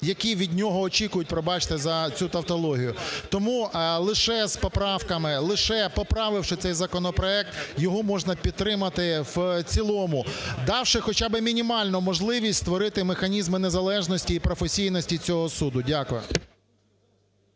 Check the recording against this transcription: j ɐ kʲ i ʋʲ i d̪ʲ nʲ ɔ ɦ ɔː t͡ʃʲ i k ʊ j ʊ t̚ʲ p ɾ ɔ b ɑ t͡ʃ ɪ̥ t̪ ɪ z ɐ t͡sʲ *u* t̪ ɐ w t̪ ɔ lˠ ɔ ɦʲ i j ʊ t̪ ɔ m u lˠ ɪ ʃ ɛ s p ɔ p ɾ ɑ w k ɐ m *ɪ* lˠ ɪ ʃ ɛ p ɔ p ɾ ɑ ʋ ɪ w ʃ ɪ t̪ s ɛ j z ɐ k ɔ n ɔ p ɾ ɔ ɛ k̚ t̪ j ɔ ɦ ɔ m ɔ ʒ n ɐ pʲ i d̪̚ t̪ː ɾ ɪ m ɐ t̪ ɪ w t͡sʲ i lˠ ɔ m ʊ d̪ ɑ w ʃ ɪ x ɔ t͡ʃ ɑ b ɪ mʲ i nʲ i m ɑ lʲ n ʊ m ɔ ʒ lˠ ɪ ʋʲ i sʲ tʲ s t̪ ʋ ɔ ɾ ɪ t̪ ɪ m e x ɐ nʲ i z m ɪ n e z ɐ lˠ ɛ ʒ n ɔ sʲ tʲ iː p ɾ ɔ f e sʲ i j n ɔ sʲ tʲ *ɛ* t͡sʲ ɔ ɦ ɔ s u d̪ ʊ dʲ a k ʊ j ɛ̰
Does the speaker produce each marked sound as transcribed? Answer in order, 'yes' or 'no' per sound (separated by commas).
yes, yes, no